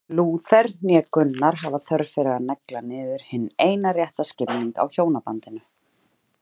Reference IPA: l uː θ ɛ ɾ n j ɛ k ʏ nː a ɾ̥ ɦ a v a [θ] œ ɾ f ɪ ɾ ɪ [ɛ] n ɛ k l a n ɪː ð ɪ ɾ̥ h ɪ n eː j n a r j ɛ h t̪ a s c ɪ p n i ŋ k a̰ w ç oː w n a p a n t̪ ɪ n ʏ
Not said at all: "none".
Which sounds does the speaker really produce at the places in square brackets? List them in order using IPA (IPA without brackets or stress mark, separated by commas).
θ, a